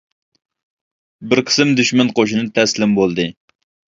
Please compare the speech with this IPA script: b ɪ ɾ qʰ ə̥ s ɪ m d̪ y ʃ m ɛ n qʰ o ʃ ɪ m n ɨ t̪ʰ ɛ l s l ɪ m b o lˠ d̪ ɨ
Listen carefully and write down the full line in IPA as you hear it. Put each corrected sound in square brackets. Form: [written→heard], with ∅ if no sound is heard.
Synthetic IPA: b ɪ ɾ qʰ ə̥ s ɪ m d̪ y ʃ m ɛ n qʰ o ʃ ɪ [m→∅] n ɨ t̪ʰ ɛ [l→∅] s l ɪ m b o lˠ d̪ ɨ